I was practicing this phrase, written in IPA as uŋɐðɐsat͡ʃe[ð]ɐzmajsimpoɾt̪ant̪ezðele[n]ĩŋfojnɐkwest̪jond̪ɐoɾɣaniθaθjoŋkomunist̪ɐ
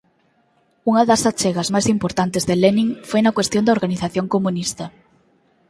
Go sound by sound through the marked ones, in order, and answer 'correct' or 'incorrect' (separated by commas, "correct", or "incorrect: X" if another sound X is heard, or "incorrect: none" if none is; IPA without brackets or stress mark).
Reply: incorrect: ɣ, correct